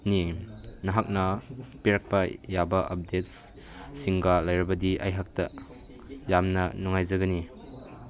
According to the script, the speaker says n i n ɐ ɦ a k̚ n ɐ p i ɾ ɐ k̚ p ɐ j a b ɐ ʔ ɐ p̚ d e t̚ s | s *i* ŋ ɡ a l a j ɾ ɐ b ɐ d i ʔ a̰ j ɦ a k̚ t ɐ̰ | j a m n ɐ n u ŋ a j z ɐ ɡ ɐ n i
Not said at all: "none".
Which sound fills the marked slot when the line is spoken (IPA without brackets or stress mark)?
i